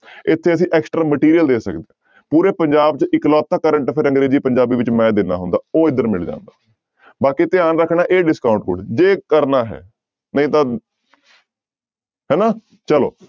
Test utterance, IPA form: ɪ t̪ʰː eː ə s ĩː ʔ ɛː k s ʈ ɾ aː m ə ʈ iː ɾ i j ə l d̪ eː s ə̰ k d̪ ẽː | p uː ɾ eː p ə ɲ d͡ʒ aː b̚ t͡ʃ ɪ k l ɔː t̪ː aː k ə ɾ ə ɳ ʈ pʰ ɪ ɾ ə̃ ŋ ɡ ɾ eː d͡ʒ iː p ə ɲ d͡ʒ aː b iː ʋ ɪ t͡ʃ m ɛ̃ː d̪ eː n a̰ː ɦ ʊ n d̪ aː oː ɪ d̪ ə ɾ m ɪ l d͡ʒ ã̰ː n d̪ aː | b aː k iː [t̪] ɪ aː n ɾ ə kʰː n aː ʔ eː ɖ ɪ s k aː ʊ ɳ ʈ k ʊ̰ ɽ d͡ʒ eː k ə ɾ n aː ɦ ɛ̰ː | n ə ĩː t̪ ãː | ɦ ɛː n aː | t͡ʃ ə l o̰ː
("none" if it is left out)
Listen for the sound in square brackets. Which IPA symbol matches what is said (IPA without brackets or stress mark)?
t̪